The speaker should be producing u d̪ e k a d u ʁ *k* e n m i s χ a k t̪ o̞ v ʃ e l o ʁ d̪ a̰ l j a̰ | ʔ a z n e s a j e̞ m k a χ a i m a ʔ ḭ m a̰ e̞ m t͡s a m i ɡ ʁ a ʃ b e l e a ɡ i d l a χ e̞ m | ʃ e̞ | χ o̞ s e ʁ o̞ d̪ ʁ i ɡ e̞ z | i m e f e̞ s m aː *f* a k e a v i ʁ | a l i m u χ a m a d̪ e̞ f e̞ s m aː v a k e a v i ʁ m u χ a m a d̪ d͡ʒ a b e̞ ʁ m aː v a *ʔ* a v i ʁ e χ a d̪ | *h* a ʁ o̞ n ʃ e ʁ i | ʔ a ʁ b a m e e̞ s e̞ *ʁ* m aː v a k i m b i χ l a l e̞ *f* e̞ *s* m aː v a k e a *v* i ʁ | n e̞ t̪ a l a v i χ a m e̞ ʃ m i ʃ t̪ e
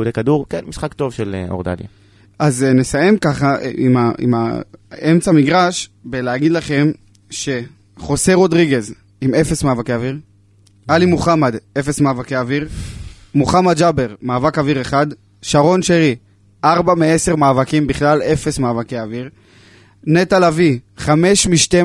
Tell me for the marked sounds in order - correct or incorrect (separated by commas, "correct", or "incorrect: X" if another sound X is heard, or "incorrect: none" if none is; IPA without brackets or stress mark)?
correct, incorrect: v, incorrect: k, incorrect: ʃ, correct, correct, correct, correct